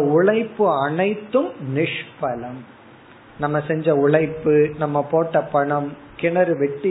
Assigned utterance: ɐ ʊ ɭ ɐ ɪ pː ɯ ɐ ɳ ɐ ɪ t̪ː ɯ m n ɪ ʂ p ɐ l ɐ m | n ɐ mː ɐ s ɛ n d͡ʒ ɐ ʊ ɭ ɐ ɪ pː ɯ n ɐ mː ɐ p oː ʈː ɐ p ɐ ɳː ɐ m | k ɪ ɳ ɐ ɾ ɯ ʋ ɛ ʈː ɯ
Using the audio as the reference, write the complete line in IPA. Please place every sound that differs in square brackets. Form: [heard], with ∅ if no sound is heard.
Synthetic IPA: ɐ ʊ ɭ ɐ ɪ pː ɯ ɐ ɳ ɐ ɪ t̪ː ɯ m n ɪ ʂ p ɐ l ɐ m | n ɐ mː ɐ s ɛ [ɲ] d͡ʒ ɐ ʊ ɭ ɐ ɪ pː ɯ n ɐ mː ɐ p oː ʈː ɐ p ɐ [ɳ] ɐ m | k ɪ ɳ ɐ ɾ ɯ ʋ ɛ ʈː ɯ